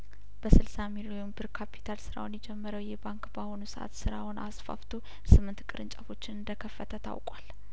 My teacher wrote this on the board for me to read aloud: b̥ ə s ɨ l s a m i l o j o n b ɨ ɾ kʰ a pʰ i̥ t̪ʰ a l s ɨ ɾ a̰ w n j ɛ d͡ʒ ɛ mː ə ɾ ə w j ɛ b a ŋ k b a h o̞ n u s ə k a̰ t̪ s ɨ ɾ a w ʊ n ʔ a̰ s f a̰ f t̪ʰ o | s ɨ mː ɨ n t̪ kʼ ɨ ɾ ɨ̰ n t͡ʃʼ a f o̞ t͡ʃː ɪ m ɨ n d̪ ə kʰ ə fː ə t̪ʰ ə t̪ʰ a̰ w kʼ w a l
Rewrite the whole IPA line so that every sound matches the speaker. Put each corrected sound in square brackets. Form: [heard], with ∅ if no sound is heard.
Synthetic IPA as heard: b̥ ə s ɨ l s a m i l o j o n b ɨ ɾ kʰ a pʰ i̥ t̪ʰ a l s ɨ ɾ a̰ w n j ɛ d͡ʒ ɛ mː ə ɾ ə w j ɛ b a ŋ k b a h o̞ n u s ə [ʔ] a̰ t̪ s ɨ ɾ a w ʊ n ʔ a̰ s f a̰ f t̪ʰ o | s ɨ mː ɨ n t̪ kʼ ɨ ɾ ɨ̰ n t͡ʃʼ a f o̞ t͡ʃː ɪ [n] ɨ n d̪ ə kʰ ə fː ə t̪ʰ ə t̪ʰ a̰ w kʼ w a l